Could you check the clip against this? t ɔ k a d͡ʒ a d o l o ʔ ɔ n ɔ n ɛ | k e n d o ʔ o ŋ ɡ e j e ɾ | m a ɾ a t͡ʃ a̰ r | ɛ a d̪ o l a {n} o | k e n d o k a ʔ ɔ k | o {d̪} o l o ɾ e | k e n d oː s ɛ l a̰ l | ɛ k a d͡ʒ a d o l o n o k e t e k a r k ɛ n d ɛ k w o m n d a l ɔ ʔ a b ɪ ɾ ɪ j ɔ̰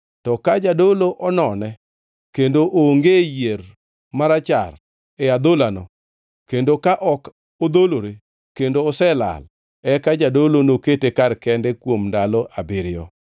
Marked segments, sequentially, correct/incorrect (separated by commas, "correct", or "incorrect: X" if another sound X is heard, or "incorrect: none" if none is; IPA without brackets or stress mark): correct, correct